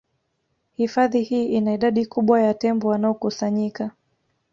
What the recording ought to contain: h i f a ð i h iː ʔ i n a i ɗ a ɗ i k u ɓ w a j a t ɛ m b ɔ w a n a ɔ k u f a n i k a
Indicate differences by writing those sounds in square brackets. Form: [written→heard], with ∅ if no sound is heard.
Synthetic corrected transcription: h i f a ð i h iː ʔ i n a i ɗ a ɗ i k u ɓ w a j a t ɛ m b ɔ w a n a ɔ k u [f→s] a [n→ɲ] i k a